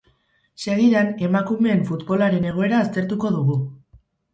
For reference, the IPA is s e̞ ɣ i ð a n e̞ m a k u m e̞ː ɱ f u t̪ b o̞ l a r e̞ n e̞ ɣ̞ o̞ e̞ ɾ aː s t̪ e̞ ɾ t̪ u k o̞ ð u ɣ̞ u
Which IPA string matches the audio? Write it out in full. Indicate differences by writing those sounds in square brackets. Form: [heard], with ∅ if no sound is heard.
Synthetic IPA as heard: s e̞ ɣ i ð a n e̞ m a k u m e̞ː ɱ f u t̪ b o̞ l a [ɾ] e̞ n e̞ ɣ̞ o̞ e̞ ɾ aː s t̪ e̞ ɾ t̪ u k o̞ ð u ɣ̞ u